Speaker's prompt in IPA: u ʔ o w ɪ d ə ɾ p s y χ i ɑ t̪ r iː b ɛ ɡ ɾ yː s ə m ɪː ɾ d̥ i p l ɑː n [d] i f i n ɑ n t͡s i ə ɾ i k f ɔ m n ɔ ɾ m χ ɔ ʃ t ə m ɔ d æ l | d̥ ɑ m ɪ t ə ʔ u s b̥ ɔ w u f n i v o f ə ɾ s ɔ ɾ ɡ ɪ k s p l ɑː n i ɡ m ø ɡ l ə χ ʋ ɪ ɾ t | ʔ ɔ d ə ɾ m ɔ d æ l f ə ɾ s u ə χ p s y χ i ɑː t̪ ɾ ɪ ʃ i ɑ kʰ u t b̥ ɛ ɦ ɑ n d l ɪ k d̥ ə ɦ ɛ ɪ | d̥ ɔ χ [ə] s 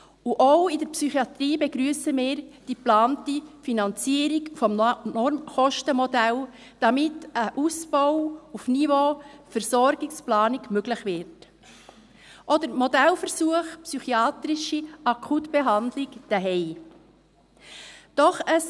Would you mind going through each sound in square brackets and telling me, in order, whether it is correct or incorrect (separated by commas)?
incorrect, correct